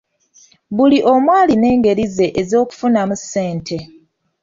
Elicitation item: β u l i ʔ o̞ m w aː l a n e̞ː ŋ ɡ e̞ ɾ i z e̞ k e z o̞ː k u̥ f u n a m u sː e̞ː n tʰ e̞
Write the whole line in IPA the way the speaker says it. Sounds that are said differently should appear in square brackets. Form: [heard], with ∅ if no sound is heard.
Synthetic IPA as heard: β u l i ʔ o̞ m w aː l [i] n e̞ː ŋ ɡ e̞ ɾ i z e̞ [ʔ] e z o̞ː k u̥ f u n a m u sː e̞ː n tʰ e̞